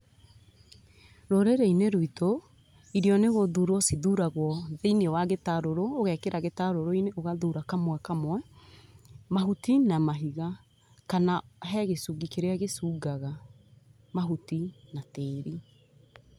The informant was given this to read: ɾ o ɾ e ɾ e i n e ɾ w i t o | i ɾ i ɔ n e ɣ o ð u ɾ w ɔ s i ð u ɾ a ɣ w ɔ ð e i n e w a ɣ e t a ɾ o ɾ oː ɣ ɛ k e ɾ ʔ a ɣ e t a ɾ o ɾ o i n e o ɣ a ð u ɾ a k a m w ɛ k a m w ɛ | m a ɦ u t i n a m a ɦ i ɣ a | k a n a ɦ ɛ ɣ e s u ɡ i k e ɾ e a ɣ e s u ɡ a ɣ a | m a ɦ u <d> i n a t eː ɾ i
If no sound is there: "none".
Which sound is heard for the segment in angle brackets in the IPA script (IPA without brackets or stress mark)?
t